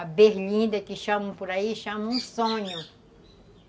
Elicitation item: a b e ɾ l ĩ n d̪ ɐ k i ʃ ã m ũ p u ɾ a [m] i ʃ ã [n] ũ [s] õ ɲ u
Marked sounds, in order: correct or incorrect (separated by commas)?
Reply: incorrect, incorrect, correct